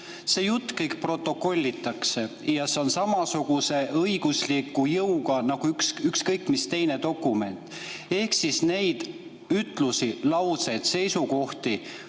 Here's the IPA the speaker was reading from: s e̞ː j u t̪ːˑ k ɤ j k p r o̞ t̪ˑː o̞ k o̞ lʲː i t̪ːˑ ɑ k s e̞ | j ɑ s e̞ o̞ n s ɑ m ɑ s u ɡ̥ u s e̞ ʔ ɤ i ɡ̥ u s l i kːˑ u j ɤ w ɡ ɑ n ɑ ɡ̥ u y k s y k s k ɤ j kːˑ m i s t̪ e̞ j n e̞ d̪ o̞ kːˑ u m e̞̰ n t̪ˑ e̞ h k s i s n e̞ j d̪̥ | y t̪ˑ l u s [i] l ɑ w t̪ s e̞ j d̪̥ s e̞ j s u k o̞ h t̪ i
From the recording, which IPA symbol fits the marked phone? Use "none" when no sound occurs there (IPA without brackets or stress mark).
i